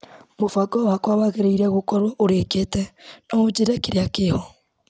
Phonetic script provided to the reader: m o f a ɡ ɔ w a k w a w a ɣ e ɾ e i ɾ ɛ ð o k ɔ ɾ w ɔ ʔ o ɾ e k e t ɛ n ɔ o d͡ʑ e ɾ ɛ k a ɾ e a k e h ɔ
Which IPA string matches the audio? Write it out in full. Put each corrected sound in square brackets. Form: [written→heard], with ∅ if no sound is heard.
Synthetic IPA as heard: m o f a ɡ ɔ w a k w a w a ɣ e ɾ e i ɾ ɛ [ð→ɣ] o k ɔ ɾ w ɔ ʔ o ɾ e k e t ɛ n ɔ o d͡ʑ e ɾ ɛ k [a→e] ɾ e a k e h ɔ